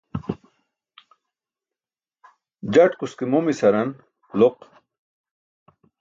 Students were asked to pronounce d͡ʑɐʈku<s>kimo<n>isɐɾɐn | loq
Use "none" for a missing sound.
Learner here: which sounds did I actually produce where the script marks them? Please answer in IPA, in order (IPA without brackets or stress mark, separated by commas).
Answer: s, m